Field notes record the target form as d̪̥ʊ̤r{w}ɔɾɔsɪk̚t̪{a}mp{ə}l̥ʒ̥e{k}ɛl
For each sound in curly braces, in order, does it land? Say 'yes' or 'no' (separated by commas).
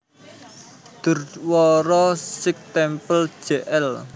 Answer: yes, no, yes, no